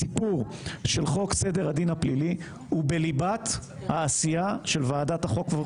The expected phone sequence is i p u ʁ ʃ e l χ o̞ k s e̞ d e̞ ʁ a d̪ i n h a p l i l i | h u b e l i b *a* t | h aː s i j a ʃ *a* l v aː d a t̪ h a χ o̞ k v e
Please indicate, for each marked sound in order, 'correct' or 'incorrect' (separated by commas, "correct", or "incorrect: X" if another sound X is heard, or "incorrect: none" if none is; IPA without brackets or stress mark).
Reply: correct, incorrect: e